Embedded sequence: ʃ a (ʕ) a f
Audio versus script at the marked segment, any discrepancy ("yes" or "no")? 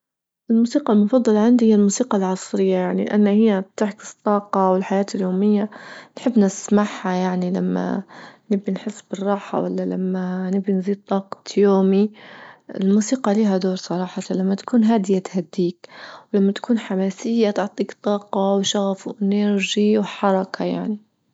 yes